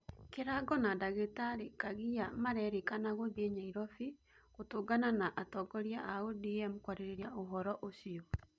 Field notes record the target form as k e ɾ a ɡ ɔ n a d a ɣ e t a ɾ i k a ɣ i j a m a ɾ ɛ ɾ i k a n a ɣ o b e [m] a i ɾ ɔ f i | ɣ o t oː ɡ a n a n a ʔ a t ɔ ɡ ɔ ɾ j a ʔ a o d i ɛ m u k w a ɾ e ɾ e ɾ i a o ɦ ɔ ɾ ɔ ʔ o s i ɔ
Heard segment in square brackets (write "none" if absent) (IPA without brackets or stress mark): ɲ